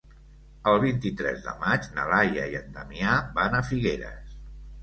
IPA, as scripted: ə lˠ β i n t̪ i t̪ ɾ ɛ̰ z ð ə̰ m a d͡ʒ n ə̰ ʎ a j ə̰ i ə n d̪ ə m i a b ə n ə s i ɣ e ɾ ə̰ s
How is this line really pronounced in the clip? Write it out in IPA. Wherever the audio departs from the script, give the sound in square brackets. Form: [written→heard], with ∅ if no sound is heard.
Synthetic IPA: ə lˠ β i n t̪ i t̪ ɾ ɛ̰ z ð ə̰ m a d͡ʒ n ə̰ [ʎ→l] a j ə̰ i ə n d̪ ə m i a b [ə→a] n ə [s→f] i ɣ e ɾ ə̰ s